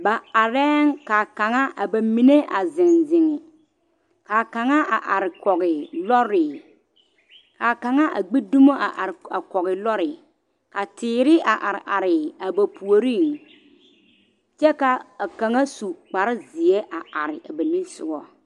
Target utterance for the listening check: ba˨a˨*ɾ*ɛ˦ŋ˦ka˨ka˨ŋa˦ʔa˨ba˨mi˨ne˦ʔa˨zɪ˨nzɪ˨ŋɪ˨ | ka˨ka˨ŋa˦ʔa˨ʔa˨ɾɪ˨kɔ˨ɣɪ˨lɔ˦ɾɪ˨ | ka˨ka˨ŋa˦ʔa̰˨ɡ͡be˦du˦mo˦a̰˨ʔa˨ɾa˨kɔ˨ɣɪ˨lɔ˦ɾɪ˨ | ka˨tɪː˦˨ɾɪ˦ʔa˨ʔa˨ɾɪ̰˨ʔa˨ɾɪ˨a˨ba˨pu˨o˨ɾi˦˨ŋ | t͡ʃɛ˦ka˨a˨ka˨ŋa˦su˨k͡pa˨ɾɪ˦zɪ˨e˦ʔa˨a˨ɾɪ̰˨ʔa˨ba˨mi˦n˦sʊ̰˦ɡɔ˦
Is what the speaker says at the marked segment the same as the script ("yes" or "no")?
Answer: yes